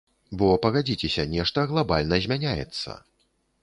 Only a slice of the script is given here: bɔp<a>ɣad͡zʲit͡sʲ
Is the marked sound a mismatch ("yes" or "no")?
yes